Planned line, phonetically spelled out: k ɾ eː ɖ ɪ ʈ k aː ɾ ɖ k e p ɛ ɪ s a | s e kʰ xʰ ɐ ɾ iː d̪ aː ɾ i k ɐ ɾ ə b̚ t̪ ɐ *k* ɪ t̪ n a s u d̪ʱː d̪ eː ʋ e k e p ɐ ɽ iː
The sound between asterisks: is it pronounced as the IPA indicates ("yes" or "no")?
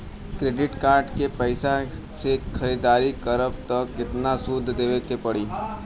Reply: yes